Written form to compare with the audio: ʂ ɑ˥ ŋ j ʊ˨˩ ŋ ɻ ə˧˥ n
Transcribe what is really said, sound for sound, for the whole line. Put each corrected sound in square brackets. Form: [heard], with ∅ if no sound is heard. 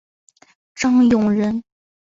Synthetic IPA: [ʈ͡ʂ] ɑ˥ ŋ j ʊ˨˩ ŋ ɻ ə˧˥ n

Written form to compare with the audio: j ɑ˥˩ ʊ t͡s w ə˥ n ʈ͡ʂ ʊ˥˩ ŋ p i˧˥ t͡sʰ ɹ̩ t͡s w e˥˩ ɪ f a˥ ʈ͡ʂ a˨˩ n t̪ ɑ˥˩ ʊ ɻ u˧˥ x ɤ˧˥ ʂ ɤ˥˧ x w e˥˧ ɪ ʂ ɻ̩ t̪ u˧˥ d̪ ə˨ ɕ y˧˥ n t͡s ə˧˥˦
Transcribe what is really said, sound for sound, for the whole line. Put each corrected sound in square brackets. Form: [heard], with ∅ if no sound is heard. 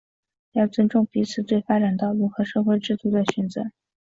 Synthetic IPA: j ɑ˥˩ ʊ t͡s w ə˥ n ʈ͡ʂ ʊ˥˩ ŋ p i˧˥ t͡sʰ ɹ̩ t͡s w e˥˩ ɪ f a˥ ʈ͡ʂ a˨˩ n t̪ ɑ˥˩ ʊ ɻ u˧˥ x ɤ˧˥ ʂ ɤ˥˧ x w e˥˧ ɪ [ʈ͡ʂ] ɻ̩ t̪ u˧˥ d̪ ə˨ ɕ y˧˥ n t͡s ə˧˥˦

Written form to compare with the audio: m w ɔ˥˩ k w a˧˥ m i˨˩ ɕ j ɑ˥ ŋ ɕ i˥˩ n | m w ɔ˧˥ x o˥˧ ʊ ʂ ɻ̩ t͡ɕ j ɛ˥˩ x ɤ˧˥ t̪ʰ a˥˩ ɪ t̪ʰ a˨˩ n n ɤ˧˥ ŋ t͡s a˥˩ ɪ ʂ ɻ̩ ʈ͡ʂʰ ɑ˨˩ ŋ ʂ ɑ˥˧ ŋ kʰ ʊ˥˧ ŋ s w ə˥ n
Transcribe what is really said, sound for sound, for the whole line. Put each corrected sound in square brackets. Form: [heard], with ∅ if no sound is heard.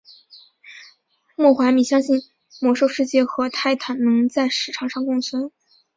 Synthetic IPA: m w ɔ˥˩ [x] w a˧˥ m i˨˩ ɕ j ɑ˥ ŋ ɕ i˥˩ n | m w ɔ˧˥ [ʂ] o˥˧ ʊ ʂ ɻ̩ t͡ɕ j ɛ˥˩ x ɤ˧˥ t̪ʰ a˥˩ ɪ t̪ʰ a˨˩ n n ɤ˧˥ ŋ t͡s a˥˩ ɪ ʂ ɻ̩ ʈ͡ʂʰ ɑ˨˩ ŋ ʂ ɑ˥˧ ŋ [k] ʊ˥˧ ŋ s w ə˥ n

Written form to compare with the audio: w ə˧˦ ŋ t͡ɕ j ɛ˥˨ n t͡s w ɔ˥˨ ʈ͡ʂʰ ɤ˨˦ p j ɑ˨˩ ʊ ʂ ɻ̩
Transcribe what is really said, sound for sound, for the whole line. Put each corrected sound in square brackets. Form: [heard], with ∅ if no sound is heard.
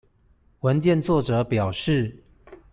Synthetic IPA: w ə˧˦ [n] t͡ɕ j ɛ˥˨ n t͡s w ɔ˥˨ [ʈ͡ʂ] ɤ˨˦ p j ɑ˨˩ ʊ ʂ ɻ̩

